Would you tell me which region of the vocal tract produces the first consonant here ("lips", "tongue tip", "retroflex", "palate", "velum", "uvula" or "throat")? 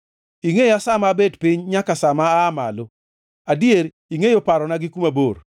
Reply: velum